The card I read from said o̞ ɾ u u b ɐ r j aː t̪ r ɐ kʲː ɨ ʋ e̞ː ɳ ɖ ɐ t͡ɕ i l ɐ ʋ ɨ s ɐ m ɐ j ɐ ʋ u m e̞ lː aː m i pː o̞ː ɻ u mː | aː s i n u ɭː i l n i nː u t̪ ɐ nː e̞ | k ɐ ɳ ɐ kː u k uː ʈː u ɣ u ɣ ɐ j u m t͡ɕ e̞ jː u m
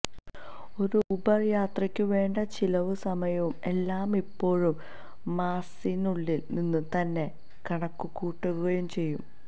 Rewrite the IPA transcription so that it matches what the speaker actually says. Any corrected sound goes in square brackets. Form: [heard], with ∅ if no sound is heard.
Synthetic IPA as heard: o̞ ɾ u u b ɐ r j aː t̪ r ɐ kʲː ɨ ʋ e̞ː ɳ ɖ ɐ t͡ɕ i l ɐ ʋ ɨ s ɐ m ɐ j ɐ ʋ u m e̞ lː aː m i pː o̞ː ɻ u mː | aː s i n u ɭː i l n i nː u t̪ ɐ nː e̞ | k ɐ ɳ ɐ kː u k uː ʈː u ɣ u ɣ ɐ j u m t͡ɕ e̞ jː u m